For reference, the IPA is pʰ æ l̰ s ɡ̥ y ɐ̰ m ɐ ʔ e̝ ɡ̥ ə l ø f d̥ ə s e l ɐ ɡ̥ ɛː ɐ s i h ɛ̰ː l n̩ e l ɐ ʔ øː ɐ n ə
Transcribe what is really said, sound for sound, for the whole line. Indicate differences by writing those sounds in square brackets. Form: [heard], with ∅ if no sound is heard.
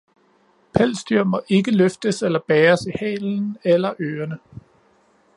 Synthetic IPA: pʰ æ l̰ s [d̥] y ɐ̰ m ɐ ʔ e̝ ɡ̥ ə l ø f d̥ ə s e l ɐ [b̥] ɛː ɐ s i h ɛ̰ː l n̩ e l ɐ ʔ øː ɐ n ə